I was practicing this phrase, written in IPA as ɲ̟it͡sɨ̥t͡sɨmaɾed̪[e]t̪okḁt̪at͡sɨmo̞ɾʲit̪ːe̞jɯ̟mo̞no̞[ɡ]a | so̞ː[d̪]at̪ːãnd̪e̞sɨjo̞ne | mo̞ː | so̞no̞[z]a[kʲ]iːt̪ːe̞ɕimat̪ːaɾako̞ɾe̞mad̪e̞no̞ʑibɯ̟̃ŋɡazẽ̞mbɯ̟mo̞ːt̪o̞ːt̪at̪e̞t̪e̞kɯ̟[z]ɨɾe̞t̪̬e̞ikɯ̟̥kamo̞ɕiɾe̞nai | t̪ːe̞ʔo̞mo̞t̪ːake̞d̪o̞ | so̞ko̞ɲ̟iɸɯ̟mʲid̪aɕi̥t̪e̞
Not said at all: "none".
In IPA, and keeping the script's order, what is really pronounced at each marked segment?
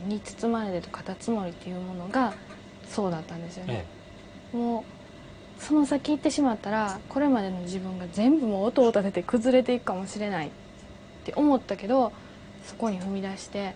e, ɡ, d̪, s, kʲ, z

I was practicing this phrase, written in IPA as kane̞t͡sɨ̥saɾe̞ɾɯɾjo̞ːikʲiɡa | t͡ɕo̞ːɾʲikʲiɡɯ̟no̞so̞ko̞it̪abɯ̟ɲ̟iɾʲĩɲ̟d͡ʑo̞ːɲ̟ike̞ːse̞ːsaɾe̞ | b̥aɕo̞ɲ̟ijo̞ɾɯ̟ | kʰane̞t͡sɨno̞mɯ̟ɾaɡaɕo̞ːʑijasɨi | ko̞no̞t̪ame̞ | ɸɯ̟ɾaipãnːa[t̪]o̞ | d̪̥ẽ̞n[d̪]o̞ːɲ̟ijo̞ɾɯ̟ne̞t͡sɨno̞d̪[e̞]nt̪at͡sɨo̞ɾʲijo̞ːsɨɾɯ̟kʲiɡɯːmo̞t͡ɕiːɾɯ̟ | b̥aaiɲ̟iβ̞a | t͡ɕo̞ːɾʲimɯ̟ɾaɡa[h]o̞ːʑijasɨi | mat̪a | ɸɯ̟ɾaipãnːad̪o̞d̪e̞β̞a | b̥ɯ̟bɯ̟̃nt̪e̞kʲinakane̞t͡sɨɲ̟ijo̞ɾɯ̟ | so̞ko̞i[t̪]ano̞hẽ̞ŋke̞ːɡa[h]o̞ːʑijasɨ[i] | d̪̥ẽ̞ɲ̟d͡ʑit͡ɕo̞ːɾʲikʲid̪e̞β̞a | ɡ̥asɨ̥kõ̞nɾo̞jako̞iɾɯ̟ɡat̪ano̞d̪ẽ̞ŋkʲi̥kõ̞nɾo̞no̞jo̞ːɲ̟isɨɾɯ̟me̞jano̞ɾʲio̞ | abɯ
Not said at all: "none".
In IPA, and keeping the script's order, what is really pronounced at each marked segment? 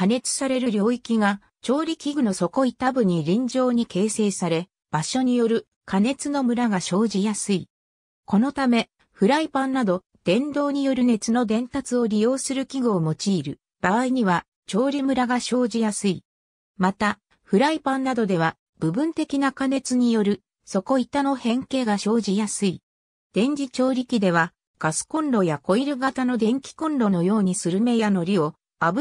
d̪, d̪, ẽ̞, ɕ, t̪, ɕ, i

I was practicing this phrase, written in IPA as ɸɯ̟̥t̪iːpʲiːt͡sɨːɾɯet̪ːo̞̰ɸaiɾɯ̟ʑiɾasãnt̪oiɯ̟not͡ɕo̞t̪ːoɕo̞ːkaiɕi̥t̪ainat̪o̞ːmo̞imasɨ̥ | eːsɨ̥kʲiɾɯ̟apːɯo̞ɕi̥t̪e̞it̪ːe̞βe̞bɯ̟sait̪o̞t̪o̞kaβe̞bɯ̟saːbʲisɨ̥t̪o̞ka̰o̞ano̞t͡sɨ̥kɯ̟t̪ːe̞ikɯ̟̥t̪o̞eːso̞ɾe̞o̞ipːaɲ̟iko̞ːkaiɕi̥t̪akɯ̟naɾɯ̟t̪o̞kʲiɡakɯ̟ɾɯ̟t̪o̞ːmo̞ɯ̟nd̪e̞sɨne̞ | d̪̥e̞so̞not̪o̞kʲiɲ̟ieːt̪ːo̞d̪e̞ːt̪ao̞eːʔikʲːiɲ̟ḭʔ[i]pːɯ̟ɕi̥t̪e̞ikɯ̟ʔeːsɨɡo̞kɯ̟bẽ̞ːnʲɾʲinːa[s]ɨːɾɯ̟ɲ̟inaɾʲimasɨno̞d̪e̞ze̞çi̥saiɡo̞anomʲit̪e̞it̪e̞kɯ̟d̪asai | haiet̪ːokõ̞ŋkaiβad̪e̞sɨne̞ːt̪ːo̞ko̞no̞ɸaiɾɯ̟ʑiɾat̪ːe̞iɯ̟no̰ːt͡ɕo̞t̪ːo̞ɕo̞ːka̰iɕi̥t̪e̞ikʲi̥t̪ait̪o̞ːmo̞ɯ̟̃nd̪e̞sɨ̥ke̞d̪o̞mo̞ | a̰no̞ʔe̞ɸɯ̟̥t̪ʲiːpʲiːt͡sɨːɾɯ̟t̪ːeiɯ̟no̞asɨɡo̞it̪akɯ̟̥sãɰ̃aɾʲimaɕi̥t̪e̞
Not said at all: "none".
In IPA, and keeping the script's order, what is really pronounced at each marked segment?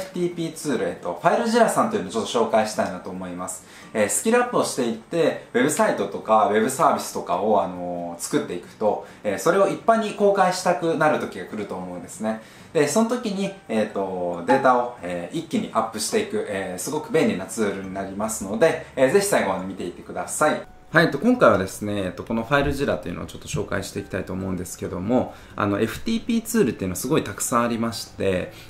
a, t͡s

